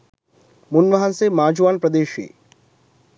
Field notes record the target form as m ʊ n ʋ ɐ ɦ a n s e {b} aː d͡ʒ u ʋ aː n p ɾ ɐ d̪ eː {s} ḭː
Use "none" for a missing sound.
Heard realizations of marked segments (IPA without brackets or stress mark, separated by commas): m, ʃ